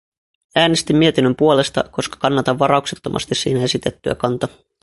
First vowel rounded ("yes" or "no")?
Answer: no